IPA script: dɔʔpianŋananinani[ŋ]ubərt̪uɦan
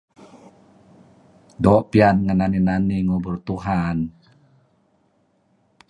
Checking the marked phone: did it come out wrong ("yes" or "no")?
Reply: no